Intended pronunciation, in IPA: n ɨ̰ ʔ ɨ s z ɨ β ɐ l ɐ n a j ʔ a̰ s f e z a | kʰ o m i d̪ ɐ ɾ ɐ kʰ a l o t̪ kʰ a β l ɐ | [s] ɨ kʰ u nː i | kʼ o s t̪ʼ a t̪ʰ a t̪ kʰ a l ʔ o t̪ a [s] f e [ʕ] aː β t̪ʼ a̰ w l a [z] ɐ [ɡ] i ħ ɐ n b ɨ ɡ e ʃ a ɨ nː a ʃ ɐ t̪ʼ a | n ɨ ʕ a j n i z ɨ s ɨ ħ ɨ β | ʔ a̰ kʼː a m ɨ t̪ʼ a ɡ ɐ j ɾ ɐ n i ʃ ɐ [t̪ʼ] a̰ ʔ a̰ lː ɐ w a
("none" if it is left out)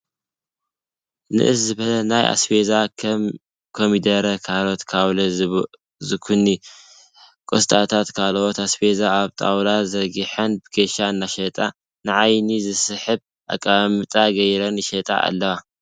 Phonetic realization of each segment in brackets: z, s, z, z, ɡ, t̪ʼ

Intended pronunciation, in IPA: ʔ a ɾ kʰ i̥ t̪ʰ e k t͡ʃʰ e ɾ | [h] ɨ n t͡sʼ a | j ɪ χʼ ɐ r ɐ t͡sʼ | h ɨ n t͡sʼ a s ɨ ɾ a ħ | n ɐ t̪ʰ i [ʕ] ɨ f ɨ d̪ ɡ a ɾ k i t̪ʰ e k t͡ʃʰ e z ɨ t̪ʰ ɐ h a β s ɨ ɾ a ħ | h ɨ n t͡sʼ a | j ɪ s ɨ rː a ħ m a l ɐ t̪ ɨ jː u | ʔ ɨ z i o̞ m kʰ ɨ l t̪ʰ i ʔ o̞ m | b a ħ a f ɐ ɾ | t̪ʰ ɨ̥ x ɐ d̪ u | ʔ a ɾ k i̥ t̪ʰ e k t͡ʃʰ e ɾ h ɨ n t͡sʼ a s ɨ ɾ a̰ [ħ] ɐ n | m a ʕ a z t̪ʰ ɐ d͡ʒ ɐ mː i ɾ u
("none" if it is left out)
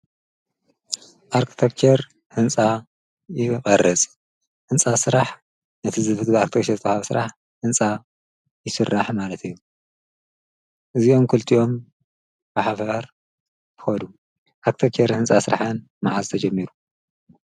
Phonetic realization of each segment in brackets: h, z, ħ

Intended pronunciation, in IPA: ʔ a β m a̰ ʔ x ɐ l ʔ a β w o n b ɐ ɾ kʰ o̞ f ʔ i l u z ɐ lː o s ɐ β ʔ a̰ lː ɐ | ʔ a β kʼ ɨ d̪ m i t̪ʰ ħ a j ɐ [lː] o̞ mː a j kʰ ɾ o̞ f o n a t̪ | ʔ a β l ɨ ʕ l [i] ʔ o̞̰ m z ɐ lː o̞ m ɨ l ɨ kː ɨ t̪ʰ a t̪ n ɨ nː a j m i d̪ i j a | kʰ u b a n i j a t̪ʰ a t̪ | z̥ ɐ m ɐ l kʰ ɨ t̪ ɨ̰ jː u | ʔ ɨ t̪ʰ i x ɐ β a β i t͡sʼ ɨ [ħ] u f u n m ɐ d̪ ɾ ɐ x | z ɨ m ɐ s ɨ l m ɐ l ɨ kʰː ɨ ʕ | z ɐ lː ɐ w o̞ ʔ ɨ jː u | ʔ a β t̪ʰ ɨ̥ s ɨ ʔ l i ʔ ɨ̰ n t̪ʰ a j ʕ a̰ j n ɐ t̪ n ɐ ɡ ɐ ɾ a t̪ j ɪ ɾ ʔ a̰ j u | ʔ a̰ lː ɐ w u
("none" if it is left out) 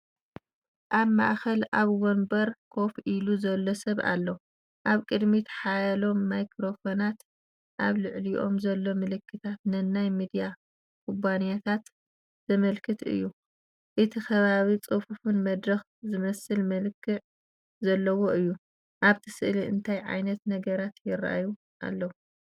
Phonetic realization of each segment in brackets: l, i, f

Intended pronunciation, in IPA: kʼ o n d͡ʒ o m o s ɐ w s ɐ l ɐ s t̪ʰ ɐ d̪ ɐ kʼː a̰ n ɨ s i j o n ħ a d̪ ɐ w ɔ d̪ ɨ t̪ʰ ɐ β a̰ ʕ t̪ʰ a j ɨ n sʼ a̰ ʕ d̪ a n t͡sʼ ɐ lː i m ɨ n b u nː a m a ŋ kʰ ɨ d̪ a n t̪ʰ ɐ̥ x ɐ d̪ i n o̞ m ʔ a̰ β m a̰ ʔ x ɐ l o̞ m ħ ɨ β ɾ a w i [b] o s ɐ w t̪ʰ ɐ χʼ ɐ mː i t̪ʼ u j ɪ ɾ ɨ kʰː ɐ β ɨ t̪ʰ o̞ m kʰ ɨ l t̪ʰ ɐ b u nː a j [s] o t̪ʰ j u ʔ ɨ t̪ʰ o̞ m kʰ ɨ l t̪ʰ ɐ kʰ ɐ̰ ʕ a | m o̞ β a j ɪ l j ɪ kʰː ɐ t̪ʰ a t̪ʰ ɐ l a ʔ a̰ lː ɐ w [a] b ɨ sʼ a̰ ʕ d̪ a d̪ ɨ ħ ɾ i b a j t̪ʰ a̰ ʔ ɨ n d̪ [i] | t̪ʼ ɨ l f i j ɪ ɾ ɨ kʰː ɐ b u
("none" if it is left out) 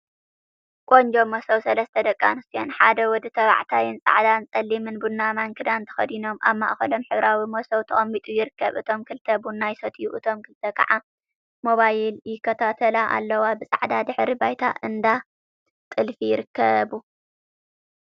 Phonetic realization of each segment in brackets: m, s, a, a

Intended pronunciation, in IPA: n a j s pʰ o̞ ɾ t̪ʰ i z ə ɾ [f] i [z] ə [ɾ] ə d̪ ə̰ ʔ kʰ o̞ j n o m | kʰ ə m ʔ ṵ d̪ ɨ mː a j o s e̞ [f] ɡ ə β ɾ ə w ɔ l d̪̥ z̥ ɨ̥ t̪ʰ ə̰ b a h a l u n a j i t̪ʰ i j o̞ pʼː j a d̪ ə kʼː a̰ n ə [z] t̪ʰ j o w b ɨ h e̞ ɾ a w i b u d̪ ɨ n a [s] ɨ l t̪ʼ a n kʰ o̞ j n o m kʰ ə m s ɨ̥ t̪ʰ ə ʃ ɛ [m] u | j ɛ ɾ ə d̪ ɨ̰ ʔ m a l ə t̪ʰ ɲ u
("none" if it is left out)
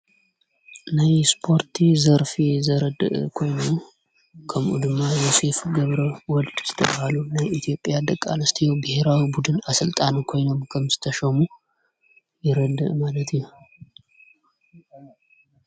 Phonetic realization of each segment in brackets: f, z, ɾ, f, s, s, m

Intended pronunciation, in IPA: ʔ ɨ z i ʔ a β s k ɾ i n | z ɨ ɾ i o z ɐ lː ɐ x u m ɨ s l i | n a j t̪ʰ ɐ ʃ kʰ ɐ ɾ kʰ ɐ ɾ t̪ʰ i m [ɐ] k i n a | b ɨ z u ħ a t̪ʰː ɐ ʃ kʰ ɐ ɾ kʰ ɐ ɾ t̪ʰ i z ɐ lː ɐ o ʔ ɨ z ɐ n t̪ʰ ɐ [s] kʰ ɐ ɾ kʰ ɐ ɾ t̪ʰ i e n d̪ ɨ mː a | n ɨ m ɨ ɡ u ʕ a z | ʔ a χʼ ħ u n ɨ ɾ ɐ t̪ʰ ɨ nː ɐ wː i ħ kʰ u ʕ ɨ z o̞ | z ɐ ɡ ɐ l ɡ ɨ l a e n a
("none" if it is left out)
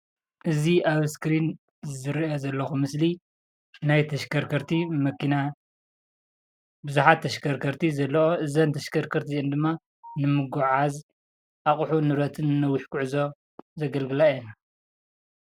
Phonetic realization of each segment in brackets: ɐ, ʃ

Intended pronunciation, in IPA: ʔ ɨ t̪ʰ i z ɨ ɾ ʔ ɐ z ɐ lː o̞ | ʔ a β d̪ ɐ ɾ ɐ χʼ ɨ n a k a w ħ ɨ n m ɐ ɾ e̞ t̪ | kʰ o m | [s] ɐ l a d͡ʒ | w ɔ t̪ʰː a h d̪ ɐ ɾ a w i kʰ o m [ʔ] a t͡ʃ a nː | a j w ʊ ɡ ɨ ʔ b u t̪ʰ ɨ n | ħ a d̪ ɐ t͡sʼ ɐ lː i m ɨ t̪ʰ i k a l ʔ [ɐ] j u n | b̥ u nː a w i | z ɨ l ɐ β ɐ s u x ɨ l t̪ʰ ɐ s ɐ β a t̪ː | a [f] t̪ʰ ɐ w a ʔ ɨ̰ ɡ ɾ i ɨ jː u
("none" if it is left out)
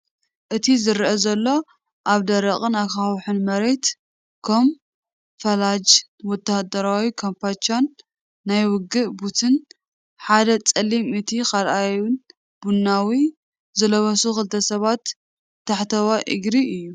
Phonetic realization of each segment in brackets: f, p, a, ħ

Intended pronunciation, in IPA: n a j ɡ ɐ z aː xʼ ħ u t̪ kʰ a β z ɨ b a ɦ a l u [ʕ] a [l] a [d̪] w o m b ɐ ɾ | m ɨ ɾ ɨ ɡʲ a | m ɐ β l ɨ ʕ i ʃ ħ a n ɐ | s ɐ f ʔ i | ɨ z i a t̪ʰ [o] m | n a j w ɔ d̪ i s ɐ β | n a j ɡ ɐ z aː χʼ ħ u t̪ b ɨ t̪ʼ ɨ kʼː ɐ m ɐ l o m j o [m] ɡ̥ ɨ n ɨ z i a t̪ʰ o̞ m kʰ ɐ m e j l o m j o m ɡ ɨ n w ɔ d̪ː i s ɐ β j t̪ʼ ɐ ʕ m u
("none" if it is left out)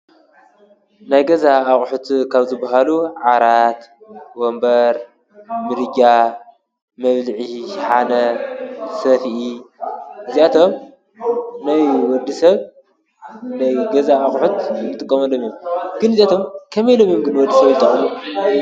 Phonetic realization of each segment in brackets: ʕ, ɾ, t̪, o, m

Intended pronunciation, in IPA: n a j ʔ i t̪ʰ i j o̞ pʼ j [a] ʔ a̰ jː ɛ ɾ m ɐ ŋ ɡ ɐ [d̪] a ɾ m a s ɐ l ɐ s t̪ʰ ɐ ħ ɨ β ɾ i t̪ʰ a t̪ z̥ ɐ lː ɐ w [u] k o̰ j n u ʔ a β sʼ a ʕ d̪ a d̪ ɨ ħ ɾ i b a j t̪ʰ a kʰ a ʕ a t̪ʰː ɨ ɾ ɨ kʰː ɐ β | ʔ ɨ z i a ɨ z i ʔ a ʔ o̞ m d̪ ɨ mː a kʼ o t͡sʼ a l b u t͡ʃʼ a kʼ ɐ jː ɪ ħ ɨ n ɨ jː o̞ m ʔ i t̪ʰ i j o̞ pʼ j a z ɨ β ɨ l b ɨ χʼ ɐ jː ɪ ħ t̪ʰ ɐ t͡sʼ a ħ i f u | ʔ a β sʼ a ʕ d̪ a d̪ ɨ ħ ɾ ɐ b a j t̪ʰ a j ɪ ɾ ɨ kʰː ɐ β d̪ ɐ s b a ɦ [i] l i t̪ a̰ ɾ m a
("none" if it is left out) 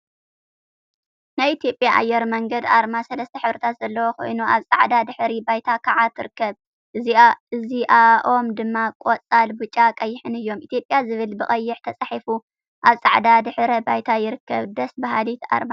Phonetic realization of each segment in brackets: a, d̪, o, a

